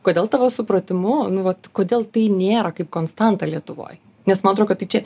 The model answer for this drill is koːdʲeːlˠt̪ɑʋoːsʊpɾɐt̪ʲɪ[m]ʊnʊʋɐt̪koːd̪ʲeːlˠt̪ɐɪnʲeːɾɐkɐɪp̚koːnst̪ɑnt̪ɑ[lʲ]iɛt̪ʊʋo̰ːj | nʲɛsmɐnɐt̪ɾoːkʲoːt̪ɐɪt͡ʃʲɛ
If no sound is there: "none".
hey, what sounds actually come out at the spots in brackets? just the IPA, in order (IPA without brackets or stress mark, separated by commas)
m, lʲ